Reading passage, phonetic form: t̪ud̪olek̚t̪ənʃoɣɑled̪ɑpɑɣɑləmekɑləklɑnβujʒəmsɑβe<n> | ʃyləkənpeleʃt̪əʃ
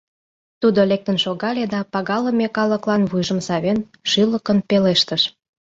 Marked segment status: correct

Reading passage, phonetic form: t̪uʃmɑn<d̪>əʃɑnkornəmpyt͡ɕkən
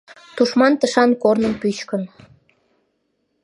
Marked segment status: incorrect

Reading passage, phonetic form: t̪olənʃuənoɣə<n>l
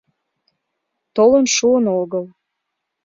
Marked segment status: incorrect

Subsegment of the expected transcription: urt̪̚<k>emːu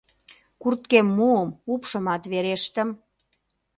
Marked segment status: correct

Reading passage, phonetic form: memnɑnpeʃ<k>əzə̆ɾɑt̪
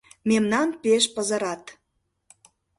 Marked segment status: incorrect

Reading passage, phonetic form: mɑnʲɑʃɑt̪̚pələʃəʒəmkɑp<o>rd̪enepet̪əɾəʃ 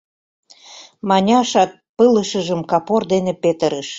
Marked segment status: correct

